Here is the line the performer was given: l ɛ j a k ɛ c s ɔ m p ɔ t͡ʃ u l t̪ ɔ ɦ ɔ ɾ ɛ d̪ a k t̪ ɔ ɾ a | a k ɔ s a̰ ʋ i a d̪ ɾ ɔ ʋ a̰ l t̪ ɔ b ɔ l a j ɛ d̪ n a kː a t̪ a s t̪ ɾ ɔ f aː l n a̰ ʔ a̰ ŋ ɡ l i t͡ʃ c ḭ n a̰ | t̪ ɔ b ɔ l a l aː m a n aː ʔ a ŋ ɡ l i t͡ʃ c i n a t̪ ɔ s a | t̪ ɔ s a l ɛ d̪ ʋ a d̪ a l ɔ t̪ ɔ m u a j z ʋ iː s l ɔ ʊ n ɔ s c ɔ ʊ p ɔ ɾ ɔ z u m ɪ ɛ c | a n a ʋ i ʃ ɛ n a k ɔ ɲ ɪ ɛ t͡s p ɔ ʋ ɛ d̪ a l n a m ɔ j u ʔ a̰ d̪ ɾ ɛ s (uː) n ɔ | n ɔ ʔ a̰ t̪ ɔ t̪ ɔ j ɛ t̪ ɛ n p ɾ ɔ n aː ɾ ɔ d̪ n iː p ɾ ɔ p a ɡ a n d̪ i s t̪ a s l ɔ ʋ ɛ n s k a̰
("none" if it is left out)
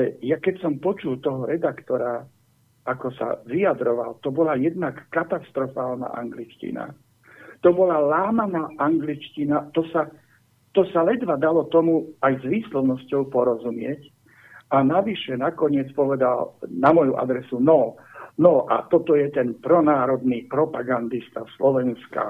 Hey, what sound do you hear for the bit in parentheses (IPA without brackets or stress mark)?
u